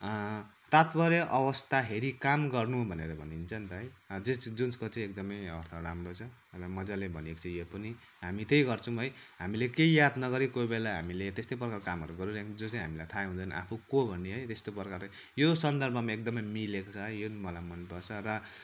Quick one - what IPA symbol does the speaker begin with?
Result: t̪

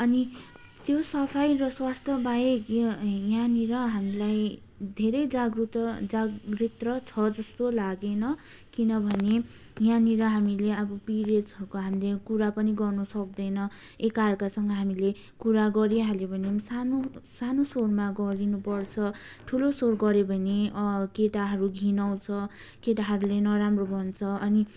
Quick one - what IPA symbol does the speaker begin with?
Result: ʌ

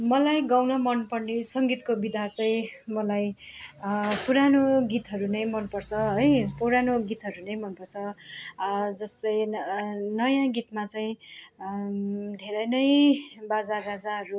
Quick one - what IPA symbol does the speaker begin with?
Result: m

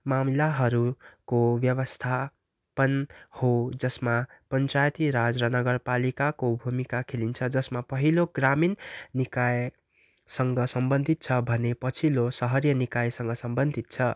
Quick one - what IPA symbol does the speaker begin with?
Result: m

